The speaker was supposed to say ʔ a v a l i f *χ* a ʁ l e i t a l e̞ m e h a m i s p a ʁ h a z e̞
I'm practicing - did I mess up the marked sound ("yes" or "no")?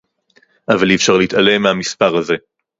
yes